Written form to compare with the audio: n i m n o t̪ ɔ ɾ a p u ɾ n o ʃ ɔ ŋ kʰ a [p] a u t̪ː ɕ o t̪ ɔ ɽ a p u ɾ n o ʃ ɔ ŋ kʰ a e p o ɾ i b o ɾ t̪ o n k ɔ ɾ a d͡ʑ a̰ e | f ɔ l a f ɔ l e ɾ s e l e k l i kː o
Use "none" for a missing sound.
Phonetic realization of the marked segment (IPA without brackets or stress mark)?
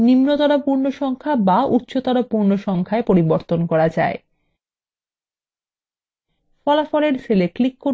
b